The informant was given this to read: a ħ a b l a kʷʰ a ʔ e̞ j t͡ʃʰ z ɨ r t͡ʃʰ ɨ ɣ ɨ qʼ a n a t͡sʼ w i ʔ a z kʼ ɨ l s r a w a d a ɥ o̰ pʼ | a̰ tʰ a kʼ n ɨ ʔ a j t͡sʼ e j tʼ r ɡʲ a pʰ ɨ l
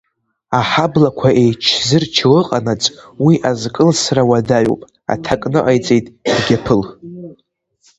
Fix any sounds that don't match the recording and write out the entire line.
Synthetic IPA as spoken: a ħ a b l a kʷʰ a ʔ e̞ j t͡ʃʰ z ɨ r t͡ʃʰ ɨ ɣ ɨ qʼ a n a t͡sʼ w i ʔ a z kʼ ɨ l s r a w a d a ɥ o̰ pʼ | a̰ tʰ a kʼ n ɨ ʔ a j t͡sʼ e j tʼ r ɡʲ a pʰ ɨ l